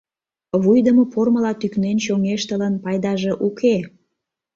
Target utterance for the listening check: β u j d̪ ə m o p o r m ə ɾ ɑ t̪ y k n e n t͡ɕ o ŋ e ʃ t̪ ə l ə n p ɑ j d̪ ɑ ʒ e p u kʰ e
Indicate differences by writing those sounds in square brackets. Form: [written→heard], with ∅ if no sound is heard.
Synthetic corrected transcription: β u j d̪ ə m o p o r m ə [ɾ→l] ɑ t̪ y k n e n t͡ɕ o ŋ e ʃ t̪ ə l ə n p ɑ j d̪ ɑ ʒ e [p→ʔ] u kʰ e